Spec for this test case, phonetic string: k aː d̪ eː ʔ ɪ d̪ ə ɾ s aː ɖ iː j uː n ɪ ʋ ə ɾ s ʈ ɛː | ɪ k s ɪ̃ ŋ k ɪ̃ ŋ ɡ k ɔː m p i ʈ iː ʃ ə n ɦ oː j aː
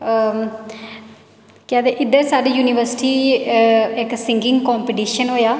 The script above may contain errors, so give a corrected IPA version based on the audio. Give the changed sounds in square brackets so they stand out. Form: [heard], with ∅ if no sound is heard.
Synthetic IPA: k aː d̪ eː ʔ ɪ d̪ ə ɾ s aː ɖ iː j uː n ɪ ʋ ə ɾ s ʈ [iː] | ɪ k s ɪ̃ ŋ [ɡ] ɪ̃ ŋ ɡ k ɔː m p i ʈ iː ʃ ə n ɦ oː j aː